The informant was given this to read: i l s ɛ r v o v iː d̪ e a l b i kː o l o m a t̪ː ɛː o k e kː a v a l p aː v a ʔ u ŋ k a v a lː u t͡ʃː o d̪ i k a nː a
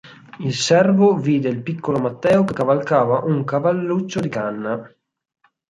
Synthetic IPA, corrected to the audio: i l s ɛ r v o v iː d̪ e i l p i kː o l o m a t̪ː ɛː o k e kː a v a l k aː v a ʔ u ŋ k a v a lː u t͡ʃː o d̪ i k a nː a